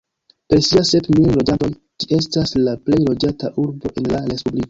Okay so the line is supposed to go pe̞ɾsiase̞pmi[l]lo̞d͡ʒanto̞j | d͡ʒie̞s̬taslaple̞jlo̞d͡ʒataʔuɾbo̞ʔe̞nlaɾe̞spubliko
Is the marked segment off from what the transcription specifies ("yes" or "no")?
no